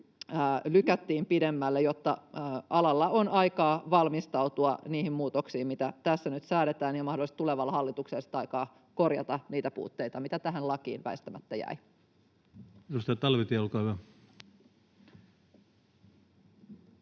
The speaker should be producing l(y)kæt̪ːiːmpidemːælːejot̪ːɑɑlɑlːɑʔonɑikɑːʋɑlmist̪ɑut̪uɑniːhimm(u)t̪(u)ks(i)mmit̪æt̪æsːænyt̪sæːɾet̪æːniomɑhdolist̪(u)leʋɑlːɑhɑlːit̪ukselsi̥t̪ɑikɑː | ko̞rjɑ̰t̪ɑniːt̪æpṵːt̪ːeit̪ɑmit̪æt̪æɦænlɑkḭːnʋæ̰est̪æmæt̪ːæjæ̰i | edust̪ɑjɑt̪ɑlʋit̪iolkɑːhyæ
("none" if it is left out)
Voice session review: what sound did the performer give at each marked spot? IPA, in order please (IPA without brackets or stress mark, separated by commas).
y, uː, o, iː, u